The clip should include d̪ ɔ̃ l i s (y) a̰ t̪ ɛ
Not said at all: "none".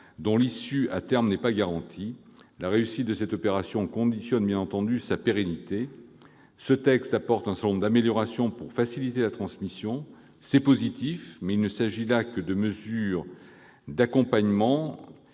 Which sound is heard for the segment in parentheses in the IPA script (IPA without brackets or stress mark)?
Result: y